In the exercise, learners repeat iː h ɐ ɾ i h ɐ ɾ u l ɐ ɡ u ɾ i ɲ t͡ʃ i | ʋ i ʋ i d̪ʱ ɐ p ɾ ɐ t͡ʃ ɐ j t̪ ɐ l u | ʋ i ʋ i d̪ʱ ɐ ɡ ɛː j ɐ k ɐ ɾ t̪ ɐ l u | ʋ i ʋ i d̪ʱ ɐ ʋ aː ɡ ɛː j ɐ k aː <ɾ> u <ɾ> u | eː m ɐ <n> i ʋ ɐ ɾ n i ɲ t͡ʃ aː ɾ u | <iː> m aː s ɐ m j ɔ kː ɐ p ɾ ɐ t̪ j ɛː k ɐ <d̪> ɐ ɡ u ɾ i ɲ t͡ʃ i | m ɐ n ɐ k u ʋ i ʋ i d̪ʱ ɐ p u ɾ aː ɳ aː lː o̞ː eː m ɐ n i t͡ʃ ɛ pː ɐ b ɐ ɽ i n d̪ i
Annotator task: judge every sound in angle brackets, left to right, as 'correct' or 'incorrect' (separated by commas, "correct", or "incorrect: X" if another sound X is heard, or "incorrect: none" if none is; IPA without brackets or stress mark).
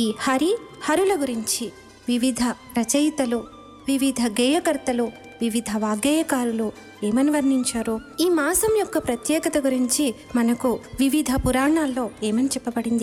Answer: correct, incorrect: l, correct, correct, incorrect: t̪